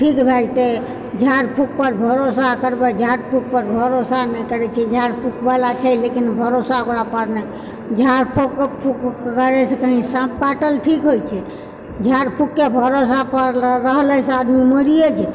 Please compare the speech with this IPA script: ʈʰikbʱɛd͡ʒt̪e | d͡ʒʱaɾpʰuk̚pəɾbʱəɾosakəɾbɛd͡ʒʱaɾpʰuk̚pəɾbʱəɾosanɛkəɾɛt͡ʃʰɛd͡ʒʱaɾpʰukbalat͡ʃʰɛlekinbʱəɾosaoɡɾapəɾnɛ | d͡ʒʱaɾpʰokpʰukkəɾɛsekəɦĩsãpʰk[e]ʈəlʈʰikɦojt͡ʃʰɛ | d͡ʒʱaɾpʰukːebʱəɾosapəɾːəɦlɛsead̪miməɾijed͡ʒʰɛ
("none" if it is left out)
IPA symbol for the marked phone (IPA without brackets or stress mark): a